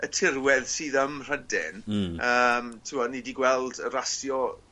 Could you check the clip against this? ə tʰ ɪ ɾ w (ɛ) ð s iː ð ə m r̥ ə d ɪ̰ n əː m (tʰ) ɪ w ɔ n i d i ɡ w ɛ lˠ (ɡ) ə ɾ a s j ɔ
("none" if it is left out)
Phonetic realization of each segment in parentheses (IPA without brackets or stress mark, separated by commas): ɛ, tʰ, d